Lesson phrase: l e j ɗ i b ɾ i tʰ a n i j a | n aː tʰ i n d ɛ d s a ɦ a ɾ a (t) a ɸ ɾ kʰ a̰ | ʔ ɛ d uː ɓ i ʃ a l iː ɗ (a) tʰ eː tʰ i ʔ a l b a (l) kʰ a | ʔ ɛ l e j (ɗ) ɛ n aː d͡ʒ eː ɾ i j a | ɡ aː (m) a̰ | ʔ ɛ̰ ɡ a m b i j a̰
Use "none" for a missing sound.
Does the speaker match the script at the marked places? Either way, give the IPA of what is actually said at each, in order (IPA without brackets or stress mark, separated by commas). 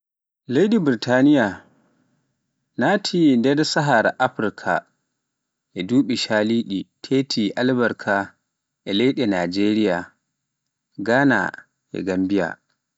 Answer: ʔ, i, ɾ, ɗ, n